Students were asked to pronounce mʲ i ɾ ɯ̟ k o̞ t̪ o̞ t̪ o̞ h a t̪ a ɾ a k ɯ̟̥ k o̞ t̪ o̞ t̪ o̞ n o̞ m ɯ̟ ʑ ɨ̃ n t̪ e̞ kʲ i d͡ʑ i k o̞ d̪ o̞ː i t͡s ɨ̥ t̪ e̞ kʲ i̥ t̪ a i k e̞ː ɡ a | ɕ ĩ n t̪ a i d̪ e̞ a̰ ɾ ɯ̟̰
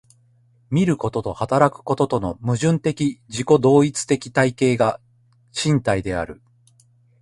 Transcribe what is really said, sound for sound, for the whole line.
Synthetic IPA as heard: mʲ i ɾ ɯ̟ k o̞ t̪ o̞ t̪ o̞ h a t̪ a ɾ a k ɯ̟̥ k o̞ t̪ o̞ t̪ o̞ n o̞ m ɯ̟ ʑ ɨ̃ n t̪ e̞ kʲ i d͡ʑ i k o̞ d̪ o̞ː i t͡s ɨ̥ t̪ e̞ kʲ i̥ t̪ a i k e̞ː ɡ a | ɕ ĩ n t̪ a i d̪ e̞ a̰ ɾ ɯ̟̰